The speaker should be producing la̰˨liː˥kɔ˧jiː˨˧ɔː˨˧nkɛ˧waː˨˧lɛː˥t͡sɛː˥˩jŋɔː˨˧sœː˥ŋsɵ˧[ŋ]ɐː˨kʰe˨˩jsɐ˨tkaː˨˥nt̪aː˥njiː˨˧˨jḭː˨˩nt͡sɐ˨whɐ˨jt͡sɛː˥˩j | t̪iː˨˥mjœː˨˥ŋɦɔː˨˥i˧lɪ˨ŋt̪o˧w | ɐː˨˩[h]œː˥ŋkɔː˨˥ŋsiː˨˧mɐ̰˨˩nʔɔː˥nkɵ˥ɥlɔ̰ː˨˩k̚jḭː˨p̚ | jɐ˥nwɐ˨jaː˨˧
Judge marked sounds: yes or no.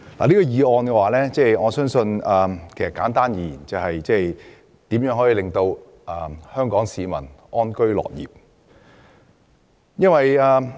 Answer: no, yes

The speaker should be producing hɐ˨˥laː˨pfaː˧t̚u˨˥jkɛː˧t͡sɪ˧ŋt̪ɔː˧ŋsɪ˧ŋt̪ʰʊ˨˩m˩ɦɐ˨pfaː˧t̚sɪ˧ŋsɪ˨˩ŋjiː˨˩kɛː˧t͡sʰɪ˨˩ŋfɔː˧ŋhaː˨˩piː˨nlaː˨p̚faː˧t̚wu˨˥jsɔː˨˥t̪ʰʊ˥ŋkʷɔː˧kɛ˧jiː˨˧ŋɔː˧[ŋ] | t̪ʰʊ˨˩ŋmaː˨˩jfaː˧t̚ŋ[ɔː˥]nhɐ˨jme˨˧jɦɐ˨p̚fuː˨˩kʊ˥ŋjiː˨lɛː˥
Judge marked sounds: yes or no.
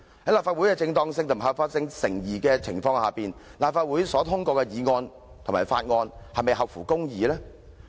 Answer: no, no

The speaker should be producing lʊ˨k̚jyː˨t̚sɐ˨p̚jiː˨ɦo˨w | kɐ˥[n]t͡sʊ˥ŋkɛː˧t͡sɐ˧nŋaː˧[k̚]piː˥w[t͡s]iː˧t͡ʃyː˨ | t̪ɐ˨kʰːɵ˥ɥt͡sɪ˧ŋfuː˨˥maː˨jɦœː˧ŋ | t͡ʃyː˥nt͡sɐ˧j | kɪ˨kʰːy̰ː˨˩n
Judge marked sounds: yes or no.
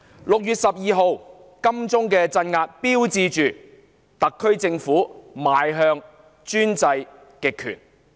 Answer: no, no, yes

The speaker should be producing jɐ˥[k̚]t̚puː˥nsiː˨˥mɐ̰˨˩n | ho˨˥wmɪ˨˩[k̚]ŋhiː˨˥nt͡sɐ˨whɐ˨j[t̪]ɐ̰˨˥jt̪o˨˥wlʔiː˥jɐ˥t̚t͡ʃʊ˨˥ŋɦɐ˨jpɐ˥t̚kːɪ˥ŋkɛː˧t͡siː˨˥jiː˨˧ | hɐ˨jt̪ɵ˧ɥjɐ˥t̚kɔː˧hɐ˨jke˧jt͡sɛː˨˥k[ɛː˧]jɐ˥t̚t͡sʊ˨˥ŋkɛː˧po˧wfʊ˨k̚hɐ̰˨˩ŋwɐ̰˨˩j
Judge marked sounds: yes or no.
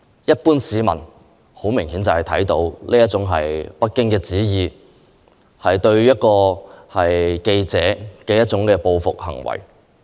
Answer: no, no, no, yes

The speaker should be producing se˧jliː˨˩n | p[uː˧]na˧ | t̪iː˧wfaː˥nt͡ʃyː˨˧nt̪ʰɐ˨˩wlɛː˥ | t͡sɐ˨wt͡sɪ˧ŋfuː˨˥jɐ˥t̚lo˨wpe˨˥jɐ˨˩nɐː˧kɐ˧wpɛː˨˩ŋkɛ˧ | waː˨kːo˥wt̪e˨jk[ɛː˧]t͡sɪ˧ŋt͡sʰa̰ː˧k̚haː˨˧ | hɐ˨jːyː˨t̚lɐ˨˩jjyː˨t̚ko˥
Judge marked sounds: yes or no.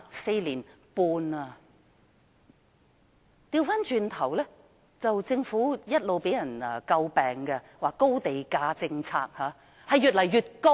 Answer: yes, no

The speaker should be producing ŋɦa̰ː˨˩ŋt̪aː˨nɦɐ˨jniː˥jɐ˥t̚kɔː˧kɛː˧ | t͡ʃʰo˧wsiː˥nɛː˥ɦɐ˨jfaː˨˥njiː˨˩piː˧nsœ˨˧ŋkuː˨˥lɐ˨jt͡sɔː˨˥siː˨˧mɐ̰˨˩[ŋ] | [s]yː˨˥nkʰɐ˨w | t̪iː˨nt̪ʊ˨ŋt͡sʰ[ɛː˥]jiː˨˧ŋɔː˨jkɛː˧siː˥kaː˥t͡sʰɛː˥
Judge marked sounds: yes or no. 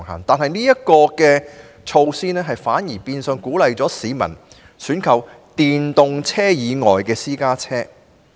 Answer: no, yes, yes

